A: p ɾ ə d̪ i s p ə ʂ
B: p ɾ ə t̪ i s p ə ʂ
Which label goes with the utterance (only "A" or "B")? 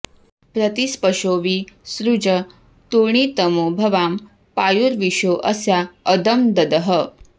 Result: B